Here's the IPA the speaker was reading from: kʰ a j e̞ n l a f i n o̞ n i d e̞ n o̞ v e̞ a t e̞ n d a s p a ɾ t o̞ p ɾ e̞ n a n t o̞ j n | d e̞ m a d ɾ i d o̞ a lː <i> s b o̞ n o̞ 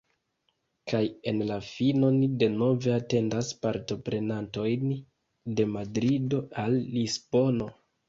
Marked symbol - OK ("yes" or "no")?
yes